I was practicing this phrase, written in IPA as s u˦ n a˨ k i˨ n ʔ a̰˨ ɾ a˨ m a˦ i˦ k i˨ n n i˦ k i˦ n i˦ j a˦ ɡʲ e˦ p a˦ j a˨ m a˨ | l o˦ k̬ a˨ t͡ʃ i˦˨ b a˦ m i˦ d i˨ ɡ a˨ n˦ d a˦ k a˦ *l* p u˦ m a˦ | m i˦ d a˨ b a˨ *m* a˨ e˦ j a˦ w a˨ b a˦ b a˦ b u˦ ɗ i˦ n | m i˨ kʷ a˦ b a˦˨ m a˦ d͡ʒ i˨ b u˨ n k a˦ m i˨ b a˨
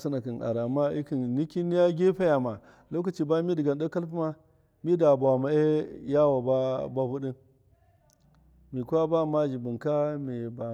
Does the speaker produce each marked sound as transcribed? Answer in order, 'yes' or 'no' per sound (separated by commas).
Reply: yes, yes